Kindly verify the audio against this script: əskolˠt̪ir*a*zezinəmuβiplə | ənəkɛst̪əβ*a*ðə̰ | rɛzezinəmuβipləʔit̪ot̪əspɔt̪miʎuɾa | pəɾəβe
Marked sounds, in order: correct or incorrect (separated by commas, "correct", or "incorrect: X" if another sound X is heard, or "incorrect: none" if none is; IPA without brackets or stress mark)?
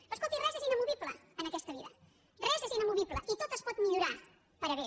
incorrect: ɛ, incorrect: i